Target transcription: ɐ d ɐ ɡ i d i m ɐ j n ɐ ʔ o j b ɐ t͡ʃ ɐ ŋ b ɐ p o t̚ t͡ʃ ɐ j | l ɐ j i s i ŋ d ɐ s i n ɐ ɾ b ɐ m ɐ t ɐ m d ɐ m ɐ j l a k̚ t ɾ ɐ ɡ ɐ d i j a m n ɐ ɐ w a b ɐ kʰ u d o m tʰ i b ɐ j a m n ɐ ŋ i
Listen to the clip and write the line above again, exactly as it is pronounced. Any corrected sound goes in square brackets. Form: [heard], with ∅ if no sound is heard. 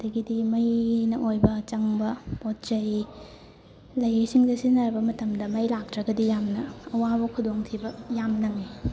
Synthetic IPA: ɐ d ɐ ɡ i d i m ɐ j n ɐ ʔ o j b ɐ t͡ʃ ɐ ŋ b ɐ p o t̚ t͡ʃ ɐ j | l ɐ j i s i ŋ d ɐ s i n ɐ ɾ b ɐ m ɐ t ɐ m d ɐ m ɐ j l a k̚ t ɾ ɐ ɡ ɐ d i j a m n ɐ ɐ w a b ɐ kʰ u d o [ŋ] tʰ i b ɐ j a m n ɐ ŋ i